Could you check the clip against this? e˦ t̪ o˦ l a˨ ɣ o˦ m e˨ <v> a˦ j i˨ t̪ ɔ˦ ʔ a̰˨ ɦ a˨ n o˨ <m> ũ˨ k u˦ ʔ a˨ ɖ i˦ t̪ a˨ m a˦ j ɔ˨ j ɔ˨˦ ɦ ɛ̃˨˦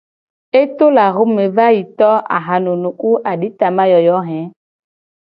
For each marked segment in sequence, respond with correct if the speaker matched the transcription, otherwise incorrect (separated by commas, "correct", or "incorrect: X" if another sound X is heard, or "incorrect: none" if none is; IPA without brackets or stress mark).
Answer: correct, incorrect: n